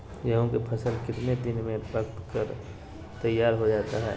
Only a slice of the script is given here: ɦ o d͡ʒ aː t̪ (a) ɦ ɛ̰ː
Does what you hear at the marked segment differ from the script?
no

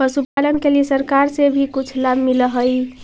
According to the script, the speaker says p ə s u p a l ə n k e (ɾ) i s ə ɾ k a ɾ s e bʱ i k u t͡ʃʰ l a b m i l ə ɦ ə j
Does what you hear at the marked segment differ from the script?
yes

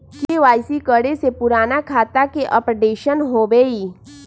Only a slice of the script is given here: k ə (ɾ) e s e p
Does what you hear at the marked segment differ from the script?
yes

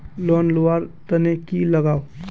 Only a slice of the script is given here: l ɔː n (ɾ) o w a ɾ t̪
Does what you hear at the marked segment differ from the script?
yes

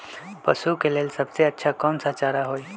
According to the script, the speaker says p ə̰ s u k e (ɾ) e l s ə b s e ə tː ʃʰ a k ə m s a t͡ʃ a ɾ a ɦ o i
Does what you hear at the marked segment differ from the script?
yes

